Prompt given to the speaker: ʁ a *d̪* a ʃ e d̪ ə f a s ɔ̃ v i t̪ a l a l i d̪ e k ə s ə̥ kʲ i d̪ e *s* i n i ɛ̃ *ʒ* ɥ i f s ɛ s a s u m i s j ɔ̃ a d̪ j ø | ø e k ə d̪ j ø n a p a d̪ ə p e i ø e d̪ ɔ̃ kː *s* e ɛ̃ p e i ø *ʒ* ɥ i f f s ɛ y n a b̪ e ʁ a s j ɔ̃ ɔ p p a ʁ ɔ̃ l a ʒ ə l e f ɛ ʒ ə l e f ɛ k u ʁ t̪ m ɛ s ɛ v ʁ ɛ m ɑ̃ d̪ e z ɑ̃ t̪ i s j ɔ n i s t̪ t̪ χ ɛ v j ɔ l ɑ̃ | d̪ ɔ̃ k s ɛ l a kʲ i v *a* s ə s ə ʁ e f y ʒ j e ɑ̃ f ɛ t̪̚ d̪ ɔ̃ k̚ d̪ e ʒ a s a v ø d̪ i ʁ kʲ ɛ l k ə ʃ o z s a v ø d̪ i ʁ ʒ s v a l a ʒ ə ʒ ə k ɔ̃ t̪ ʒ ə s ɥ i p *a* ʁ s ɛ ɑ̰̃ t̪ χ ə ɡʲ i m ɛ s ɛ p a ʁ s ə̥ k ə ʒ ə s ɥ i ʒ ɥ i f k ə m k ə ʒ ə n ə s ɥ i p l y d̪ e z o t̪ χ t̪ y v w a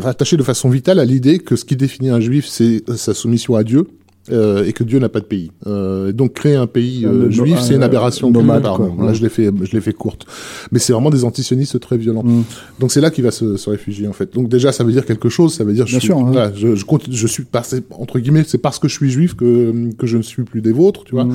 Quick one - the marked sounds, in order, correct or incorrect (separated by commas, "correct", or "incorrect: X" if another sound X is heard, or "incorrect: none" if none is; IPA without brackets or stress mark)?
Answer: incorrect: t̪, incorrect: f, correct, incorrect: χ, correct, correct, correct